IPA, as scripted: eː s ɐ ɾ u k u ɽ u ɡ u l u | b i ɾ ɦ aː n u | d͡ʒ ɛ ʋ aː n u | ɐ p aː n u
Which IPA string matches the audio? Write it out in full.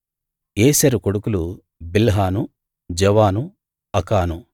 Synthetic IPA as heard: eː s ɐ ɾ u k o ɽ u k u l u | b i l ɦ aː n u | d͡ʒ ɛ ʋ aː n u | ɐ k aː n u